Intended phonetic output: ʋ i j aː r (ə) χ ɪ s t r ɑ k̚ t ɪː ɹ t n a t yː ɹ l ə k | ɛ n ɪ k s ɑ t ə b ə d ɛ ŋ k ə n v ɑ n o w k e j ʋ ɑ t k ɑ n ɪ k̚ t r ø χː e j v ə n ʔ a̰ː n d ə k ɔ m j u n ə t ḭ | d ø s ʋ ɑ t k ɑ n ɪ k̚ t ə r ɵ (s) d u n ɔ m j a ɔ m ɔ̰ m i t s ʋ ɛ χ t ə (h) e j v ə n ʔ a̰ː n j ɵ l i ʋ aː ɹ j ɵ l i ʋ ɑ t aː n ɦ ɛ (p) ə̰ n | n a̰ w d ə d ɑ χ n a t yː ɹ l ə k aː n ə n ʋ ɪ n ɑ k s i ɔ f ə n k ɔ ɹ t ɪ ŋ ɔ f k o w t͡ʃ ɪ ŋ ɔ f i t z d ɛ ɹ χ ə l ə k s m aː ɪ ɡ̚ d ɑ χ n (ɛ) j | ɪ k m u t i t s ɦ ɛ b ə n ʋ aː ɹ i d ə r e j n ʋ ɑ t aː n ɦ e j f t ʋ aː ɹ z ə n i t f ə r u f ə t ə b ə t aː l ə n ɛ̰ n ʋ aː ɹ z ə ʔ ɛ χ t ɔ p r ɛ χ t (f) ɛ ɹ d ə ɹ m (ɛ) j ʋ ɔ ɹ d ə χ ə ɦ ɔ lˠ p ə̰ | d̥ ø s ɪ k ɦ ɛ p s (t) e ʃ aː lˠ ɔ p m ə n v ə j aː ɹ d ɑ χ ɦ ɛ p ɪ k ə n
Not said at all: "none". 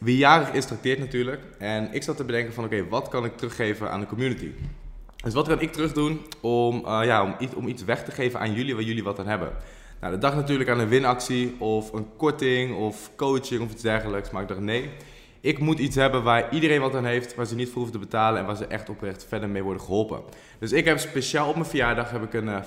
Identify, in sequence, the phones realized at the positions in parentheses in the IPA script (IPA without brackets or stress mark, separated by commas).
ə, χ, χ, b, e, f, e, p